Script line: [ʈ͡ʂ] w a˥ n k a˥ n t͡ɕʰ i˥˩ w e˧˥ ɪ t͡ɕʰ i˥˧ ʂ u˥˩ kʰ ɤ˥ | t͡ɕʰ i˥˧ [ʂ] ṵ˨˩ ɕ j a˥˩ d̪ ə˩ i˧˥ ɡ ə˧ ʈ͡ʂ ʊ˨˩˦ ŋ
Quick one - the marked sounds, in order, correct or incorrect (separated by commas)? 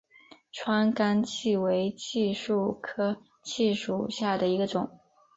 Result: incorrect, correct